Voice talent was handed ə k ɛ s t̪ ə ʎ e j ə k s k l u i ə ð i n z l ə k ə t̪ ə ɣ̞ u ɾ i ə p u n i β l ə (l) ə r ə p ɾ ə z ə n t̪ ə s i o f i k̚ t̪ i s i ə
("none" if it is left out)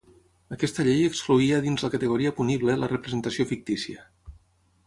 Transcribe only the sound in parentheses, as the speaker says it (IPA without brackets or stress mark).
l